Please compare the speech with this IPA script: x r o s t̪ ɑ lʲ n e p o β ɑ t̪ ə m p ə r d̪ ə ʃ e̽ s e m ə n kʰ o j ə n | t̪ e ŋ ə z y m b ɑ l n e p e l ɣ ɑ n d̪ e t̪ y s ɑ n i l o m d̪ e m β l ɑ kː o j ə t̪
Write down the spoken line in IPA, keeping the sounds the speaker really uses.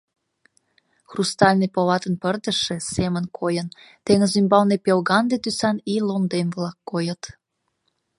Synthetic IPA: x r u s t̪ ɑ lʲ n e p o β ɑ t̪ ə n p ə r d̪ ə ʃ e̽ s e m ə n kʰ o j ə n | t̪ e ŋ ə z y m b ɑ l n e p e l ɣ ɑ n d̪ e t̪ y s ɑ n i l o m d̪ e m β l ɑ kː o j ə t̪